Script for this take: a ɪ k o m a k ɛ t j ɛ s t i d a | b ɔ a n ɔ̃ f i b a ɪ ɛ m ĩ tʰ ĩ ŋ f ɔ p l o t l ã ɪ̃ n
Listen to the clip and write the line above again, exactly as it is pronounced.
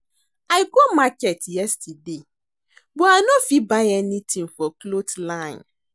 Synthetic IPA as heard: a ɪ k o m a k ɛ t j ɛ s t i d e | b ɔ a n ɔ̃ f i b a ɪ ɛ n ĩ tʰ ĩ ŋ f ɔ k l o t l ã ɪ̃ n

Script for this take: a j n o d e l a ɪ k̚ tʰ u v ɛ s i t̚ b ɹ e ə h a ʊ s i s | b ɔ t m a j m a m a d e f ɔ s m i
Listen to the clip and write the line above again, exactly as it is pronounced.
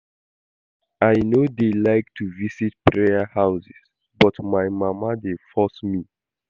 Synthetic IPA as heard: a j n o d e l a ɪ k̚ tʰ u v i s i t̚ p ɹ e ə h a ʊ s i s | b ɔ t m a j m a m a d e f ɔ s m i

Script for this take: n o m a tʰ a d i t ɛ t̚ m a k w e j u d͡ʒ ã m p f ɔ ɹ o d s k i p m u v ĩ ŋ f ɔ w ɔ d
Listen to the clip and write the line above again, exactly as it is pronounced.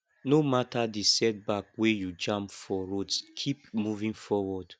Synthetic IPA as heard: n o m a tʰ a d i s ɛ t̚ b a k w e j u d͡ʒ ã m p f ɔ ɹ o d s kʰ i p m u v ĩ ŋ f ɔ w ɔ d

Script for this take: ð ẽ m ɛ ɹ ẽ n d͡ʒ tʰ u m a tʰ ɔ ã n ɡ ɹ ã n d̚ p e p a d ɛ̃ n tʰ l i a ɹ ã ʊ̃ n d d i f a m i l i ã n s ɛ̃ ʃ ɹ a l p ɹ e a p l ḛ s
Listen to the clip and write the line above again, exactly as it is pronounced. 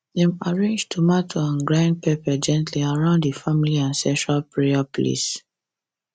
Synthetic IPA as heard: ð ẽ m a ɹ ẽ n d͡ʒ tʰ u m a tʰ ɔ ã n ɡ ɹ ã n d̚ p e p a d͡ʒ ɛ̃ n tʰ l i a ɹ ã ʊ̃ n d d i f a m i l i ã n s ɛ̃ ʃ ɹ a l p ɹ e a p l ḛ s

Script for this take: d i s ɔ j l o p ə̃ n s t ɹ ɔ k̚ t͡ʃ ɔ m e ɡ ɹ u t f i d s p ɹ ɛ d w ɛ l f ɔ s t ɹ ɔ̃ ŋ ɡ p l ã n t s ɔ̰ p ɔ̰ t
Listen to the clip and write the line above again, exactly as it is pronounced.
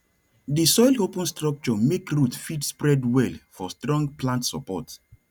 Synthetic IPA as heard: d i s ɔ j l o p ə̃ n s t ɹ ɔ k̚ t͡ʃ ɔ m e k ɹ u t f i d s p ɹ ɛ d w ɛ l f ɔ s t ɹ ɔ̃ ŋ ɡ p l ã n t s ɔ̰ p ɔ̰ t

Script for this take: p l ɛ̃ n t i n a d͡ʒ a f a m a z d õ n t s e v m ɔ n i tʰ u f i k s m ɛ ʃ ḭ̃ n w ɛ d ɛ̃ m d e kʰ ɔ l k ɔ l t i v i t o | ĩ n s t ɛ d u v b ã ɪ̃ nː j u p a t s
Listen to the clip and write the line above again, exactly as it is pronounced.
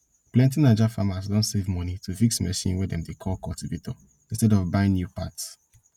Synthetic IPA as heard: p l ɛ̃ n t i n a d͡ʒ a f a m a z d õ n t s e v m ɔ n i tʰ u f i k s m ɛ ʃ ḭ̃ n w ɛ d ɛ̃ m d e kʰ ɔ l k ɔ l t i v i t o | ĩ n s t ɛ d ɔ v b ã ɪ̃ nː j u p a t s

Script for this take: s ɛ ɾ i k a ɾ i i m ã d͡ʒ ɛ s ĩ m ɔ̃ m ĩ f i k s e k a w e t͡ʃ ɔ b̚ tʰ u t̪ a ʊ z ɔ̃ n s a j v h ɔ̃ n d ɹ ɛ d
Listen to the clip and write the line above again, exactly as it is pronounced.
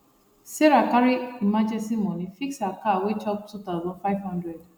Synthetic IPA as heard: s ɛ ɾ a k a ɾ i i m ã d͡ʒ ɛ s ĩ m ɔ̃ n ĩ f i k s a k a w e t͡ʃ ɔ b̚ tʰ u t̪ a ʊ z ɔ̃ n f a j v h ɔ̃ n d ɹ ɛ d

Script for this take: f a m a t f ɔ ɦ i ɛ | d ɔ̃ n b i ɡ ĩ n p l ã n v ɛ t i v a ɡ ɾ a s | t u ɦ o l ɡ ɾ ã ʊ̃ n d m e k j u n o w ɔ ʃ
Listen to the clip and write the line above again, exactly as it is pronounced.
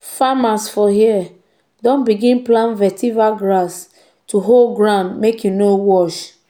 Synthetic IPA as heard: f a m a s f ɔ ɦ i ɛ | d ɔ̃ n b i ɡ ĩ n p l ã n v ɛ t i v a ɡ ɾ a s | t u ɦ o l ɡ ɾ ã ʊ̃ n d m e k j u n o w ɔ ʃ

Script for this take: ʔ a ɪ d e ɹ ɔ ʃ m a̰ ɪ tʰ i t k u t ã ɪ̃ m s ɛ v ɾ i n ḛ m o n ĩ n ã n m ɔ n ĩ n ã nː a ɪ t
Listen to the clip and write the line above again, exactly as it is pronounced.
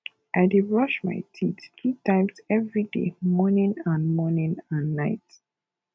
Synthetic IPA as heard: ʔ a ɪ d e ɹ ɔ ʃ m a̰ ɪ tʰ i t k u t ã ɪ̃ m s ɛ v ɹ i d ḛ m ɔ n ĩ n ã n m ɔ n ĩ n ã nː a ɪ t

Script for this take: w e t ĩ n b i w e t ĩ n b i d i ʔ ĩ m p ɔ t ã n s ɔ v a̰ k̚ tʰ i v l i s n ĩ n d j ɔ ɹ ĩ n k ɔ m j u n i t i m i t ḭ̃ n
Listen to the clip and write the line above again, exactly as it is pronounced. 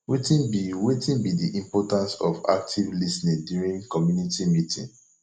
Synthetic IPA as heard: w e t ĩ n b i w e t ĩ n b i d i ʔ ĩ m p ɔ t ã n s ɔ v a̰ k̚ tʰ i v l i s n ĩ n d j u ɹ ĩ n k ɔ m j u n i t i m i t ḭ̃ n

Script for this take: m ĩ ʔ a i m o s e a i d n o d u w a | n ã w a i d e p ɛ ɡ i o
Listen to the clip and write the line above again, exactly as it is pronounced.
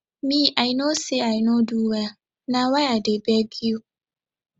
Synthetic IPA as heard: m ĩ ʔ a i n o s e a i n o d u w a | n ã w a a d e b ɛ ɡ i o

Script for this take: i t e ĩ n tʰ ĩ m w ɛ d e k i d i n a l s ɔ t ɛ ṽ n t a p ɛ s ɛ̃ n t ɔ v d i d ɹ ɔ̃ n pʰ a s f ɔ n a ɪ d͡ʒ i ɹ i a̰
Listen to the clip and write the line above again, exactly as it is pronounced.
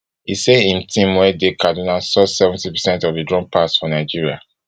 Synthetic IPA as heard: i s e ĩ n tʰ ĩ m w ɛ d e k a d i n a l s ɔ s ɛ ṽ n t i p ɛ s ɛ̃ n t ɔ v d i d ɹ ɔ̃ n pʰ a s f ɔ n a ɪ d͡ʒ i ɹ i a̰

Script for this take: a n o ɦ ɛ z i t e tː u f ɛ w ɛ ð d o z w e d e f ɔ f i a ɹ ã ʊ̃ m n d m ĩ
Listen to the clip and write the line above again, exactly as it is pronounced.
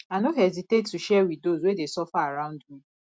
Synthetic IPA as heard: a n o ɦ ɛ z i t e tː u ʃ ɛ w i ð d o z w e d e s ɔ f a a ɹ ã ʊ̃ n d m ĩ

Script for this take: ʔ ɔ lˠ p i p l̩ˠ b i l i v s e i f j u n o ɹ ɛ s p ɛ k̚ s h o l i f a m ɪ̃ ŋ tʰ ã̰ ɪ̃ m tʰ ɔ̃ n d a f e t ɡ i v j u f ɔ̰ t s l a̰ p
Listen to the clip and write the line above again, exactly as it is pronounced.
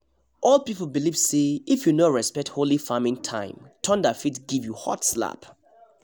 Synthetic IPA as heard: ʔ ɔ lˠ p i p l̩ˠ b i l i v s e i f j u n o ɹ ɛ s p ɛ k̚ t h o l i f a m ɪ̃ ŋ tʰ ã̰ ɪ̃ m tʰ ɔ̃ n d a f i t ɡ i v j u h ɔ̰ t s l a̰ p

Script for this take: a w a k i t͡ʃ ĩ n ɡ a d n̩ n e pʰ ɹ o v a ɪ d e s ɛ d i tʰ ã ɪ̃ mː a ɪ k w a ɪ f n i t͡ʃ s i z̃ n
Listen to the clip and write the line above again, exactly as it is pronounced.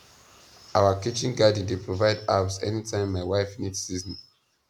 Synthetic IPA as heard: a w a k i t͡ʃ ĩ n ɡ a d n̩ d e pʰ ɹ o v a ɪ d a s ɛ n i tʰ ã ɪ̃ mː a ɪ w a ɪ f n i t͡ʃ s i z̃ n

